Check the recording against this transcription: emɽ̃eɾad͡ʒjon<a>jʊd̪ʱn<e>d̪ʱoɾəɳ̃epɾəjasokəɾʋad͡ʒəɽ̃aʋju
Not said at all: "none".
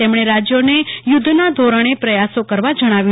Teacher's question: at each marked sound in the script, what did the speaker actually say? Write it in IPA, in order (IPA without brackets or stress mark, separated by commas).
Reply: e, a